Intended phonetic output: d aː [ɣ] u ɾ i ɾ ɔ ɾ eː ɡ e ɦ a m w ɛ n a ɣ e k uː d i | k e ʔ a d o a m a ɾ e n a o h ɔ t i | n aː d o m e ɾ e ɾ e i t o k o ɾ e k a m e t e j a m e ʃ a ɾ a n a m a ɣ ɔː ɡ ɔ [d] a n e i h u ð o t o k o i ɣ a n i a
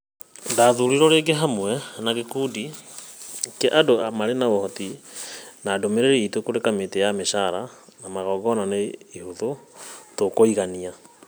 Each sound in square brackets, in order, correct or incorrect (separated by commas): incorrect, incorrect